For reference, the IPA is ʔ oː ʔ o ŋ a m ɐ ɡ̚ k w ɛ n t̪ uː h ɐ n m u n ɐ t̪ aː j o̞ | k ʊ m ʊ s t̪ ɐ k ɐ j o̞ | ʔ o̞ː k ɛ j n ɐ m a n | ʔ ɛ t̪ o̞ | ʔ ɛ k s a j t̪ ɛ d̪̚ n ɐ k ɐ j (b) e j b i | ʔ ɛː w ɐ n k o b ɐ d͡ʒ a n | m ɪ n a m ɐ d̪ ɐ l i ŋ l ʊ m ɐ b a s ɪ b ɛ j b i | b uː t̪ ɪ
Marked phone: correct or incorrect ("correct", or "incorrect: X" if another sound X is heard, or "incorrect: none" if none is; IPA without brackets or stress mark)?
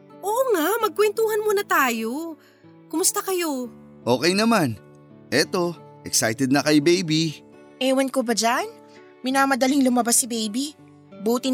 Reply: correct